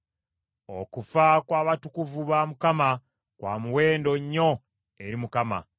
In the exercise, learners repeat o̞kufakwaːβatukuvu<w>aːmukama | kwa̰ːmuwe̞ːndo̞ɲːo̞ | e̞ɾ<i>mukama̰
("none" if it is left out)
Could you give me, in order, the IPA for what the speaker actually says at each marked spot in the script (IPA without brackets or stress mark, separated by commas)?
β, i